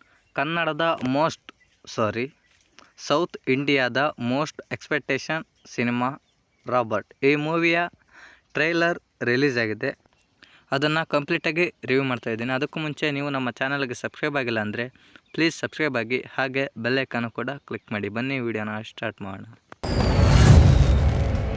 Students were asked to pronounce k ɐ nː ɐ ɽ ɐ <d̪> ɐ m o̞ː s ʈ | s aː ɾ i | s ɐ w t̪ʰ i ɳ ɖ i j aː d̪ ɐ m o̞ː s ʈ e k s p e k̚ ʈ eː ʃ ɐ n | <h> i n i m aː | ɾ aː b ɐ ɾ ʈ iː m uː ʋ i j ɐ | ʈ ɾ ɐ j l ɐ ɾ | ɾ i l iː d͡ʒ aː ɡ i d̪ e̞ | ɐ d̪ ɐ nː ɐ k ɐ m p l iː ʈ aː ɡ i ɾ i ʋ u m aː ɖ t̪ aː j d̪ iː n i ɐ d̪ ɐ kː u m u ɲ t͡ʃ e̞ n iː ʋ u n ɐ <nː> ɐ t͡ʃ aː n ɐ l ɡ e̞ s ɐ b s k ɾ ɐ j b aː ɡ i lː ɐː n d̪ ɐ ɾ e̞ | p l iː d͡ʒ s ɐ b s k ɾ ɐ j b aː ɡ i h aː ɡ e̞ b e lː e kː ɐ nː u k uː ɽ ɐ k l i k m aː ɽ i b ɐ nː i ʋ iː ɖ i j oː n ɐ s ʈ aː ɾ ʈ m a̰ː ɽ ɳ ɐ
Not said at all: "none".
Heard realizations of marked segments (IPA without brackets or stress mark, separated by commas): d̪, s, mː